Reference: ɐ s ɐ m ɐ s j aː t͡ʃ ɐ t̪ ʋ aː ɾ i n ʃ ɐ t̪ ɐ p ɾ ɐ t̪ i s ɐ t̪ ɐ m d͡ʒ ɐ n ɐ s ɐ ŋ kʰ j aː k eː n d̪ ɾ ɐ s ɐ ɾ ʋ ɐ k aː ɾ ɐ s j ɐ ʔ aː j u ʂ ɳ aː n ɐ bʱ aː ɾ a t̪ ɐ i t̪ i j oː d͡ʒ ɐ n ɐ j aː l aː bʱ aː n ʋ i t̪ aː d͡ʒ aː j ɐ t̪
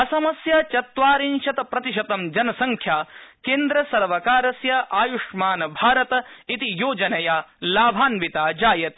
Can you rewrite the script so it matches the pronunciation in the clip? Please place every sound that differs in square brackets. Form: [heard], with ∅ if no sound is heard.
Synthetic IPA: ɐ s ɐ m ɐ s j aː t͡ʃ ɐ t̪ ʋ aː ɾ i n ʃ ɐ t̪ ɐ p ɾ ɐ t̪ i [ʃ] ɐ t̪ ɐ m d͡ʒ ɐ n ɐ s ɐ ŋ kʰ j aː k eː n d̪ ɾ ɐ s ɐ ɾ ʋ ɐ k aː ɾ ɐ s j ɐ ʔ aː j u ʂ [m] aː n ɐ bʱ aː ɾ [ɐ] t̪ ɐ i t̪ i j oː d͡ʒ ɐ n ɐ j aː l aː bʱ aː n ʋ i t̪ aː d͡ʒ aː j ɐ t̪

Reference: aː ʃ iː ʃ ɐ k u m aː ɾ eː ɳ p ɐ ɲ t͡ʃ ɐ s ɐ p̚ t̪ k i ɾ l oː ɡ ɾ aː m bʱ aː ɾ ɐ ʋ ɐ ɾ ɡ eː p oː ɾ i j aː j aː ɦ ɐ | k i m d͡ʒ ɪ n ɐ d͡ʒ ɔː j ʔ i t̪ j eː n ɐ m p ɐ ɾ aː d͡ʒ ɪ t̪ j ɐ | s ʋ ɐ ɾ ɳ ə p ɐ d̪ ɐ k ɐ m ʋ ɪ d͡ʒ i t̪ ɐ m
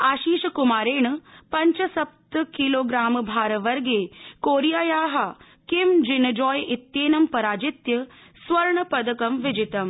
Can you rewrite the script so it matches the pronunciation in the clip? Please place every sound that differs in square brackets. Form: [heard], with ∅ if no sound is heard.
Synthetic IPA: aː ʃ iː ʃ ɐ k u m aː ɾ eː ɳ p ɐ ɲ t͡ʃ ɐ s ɐ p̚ t̪ k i [∅] l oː ɡ ɾ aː m bʱ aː ɾ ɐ ʋ ɐ ɾ ɡ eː [k] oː ɾ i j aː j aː ɦ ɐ | k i m d͡ʒ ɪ n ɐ d͡ʒ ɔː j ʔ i t̪ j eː n ɐ m p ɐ ɾ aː d͡ʒ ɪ t̪ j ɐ | s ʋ ɐ ɾ ɳ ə p ɐ d̪ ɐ k ɐ m ʋ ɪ d͡ʒ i t̪ ɐ m

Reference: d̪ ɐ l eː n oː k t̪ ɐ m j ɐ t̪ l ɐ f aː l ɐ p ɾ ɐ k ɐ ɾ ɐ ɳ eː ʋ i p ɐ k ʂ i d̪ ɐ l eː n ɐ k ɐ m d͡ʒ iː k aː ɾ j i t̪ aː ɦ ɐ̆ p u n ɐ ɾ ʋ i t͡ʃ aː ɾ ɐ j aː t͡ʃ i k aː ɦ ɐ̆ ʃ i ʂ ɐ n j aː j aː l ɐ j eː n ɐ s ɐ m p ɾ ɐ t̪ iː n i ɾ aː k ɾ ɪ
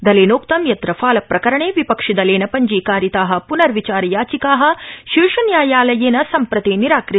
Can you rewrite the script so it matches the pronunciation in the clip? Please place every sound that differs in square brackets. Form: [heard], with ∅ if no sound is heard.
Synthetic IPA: d̪ ɐ l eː n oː k t̪ ɐ m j ɐ t̪ [ɾ] ɐ f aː l ɐ p ɾ ɐ k ɐ ɾ ɐ ɳ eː ʋ i p ɐ k ʂ i d̪ ɐ l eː n ɐ [p] ɐ [ɲ] d͡ʒ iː k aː ɾ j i t̪ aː ɦ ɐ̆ p u n ɐ ɾ ʋ i t͡ʃ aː ɾ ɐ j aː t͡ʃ i k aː ɦ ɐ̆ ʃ i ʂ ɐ n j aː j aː l ɐ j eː n ɐ s ɐ m p ɾ ɐ t̪ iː n i ɾ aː k ɾ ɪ

